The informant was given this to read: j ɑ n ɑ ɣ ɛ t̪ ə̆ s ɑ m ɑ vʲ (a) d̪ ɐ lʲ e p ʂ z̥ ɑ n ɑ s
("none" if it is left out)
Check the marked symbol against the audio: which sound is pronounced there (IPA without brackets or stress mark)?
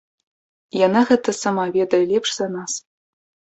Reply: e